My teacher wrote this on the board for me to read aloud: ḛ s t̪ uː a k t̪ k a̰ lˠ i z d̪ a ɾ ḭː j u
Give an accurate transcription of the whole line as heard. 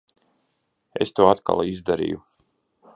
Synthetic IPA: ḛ s t̪ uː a t̪ k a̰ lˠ i z d̪ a ɾ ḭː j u